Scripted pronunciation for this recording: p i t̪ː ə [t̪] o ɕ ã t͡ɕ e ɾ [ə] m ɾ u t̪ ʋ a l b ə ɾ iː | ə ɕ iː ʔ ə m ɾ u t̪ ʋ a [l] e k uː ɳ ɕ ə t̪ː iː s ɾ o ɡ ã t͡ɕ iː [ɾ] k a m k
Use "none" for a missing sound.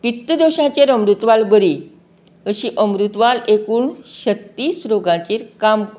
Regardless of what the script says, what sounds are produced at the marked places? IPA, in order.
d̪, ə, l, ɾ

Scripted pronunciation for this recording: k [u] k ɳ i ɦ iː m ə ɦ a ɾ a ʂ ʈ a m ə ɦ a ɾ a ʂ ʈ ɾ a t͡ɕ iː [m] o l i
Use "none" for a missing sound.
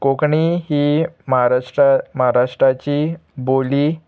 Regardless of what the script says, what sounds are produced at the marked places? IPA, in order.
o, b

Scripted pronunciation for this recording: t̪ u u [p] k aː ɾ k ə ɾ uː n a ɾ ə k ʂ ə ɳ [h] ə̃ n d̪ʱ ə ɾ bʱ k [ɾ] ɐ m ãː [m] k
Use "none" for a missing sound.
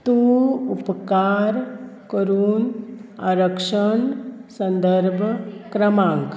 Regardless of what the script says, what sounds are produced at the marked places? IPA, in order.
p, s, ɾ, ŋ

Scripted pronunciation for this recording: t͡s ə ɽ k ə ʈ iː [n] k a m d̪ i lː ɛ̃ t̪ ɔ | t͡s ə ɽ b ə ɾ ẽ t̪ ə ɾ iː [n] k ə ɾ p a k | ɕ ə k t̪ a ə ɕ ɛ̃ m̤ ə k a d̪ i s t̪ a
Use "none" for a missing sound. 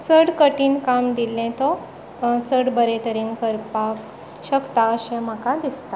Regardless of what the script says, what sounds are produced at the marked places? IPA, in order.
n, n

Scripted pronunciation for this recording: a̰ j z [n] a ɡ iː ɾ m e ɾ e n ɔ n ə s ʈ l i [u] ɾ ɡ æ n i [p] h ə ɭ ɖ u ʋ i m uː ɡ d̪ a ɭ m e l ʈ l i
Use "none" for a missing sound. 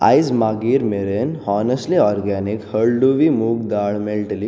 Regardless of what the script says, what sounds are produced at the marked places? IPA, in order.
m, ɔ, k

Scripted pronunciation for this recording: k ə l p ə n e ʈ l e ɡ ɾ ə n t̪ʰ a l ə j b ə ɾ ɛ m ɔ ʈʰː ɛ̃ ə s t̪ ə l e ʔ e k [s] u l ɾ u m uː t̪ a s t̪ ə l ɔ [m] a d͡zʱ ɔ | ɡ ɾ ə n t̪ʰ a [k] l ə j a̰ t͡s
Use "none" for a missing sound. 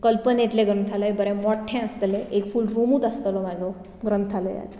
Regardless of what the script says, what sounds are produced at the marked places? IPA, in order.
f, m, none

